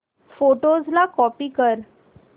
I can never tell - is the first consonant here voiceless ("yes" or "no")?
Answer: yes